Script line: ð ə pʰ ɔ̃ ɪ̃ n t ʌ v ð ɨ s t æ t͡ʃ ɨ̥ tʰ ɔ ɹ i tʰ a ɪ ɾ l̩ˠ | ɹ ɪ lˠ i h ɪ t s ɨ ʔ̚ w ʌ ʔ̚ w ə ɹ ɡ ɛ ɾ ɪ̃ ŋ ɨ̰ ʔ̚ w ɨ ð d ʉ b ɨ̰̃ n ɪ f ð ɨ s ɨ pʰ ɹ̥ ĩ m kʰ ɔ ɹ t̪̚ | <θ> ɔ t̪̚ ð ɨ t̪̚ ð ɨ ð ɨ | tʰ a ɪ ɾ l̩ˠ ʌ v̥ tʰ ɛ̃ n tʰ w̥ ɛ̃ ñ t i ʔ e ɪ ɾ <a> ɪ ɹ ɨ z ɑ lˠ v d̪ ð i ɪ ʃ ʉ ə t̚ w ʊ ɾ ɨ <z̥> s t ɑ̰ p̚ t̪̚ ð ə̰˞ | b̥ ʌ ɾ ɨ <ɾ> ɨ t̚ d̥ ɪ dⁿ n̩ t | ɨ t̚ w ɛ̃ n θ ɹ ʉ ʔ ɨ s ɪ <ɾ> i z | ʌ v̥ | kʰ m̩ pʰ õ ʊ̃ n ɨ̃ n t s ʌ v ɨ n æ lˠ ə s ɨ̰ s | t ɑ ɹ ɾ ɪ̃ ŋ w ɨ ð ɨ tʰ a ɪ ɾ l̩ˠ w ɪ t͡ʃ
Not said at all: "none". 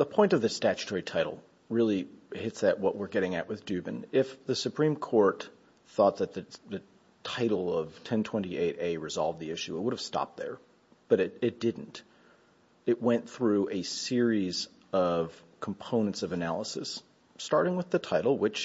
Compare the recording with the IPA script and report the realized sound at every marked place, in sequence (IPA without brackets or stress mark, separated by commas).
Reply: θ, e, v̥, ɾ, ɹ